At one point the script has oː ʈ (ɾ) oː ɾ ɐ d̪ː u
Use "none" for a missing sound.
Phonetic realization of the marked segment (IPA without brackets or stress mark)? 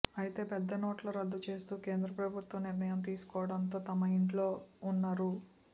l